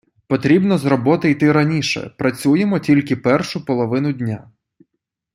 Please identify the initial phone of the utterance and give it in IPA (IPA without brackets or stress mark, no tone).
p